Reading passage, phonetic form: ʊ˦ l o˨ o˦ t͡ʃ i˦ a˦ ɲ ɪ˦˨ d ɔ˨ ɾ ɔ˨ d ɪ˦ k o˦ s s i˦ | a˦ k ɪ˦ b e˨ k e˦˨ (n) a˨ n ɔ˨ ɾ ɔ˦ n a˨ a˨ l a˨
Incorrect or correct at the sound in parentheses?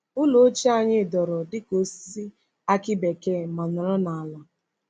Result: incorrect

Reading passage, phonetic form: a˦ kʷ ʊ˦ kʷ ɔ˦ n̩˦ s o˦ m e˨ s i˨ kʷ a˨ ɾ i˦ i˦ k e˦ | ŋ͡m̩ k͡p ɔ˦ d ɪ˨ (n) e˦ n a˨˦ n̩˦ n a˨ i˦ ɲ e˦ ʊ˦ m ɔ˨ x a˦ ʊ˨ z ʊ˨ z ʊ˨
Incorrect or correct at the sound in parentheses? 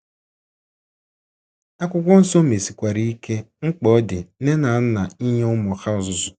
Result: correct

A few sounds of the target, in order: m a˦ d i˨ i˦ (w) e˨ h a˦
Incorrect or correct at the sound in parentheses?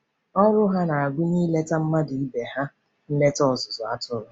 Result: incorrect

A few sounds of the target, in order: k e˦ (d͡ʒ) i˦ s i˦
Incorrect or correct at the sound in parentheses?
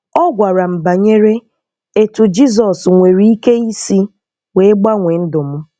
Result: incorrect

